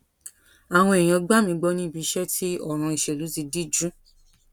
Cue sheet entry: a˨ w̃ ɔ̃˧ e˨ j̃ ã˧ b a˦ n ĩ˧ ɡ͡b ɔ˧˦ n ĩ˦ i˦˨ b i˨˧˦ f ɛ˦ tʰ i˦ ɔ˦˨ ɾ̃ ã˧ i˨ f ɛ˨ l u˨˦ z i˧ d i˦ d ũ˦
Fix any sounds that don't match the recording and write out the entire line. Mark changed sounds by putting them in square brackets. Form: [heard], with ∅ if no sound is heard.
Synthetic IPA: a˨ w̃ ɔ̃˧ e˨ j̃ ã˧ [ɡ͡b] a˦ [m] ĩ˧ ɡ͡b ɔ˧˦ n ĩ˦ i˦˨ b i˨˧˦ [ʃ] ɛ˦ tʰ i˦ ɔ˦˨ ɾ̃ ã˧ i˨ [ʃ] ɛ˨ l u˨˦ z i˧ d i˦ [d͡ʒ] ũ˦